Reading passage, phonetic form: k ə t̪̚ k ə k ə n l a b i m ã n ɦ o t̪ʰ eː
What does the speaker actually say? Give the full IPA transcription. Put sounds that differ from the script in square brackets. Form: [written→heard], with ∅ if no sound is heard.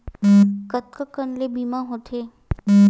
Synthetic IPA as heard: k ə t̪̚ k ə k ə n l [a→e] b i m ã [n→∅] ɦ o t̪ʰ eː